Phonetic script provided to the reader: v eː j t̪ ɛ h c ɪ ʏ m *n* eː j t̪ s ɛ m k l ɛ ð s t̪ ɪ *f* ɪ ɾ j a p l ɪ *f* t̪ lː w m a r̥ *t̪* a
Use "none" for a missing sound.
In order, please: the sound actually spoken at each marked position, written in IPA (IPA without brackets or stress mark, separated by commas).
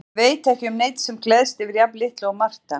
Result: n, v, h, t̪